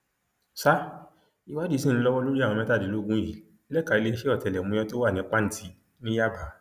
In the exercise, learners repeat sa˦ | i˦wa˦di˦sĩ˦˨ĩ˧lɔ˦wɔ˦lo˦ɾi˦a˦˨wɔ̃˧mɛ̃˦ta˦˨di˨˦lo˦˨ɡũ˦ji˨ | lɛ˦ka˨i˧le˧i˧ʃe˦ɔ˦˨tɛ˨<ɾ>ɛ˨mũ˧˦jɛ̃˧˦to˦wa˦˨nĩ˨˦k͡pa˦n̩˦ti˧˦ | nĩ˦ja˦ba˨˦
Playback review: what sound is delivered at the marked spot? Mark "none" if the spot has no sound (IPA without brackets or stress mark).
l